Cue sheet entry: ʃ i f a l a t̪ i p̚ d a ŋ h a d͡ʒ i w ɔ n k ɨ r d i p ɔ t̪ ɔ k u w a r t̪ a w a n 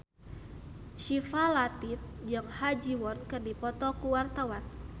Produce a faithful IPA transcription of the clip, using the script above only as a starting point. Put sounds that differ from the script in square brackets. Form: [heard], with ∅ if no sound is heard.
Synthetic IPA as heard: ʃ i f a l a t̪ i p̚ [d͡ʒ] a ŋ h a d͡ʒ i w ɔ n k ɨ r d i p ɔ t̪ ɔ k u w a r t̪ a w a n